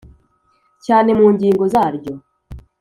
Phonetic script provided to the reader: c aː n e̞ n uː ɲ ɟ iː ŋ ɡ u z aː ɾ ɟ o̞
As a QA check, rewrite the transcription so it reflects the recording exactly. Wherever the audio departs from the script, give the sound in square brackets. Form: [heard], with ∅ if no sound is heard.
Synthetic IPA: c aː n e̞ [m] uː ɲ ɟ iː ŋ ɡ [o] z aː ɾ ɟ o̞